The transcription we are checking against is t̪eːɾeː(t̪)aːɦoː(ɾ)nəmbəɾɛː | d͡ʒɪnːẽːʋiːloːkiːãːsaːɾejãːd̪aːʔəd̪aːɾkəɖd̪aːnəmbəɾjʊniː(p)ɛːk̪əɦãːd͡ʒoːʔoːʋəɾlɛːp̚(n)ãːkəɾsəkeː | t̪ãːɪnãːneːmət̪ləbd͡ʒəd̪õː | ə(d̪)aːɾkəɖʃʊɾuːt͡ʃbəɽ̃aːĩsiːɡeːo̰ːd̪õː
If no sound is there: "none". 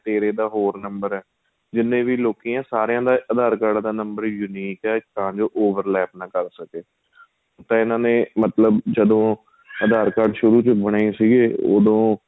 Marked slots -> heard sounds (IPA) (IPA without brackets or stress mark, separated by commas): d̪, ɾ, k, n, d̪